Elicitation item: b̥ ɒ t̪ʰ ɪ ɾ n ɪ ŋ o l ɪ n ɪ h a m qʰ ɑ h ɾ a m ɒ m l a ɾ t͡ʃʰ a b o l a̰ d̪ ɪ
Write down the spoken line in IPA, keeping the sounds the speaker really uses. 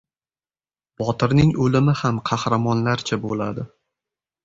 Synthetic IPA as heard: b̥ ɒ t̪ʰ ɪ ɾ n ɪ ŋ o l ɪ m ɪ h a m qʰ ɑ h ɾ a m ɒ n l a ɾ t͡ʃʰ a b o l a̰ d̪ ɪ